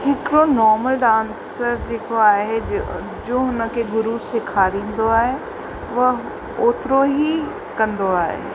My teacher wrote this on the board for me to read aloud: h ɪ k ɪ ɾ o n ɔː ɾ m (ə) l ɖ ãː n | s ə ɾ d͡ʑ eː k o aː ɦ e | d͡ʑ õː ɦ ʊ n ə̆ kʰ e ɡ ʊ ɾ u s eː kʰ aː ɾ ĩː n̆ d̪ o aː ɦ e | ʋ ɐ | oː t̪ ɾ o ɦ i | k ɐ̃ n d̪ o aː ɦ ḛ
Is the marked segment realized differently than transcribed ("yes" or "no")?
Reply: no